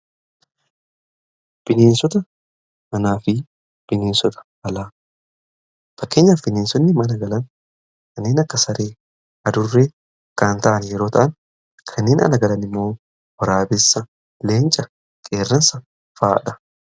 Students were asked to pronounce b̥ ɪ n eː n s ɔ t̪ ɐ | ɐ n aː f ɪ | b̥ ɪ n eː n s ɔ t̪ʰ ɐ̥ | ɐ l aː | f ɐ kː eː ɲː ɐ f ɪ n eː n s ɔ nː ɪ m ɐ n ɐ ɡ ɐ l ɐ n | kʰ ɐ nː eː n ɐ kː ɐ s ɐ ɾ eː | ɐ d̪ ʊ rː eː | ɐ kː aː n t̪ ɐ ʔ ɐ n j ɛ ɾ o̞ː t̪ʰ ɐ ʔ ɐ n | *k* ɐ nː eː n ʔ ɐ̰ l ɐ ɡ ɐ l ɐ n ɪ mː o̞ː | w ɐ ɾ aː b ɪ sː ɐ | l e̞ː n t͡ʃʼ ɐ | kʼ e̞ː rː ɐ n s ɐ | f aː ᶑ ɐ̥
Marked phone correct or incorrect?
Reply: incorrect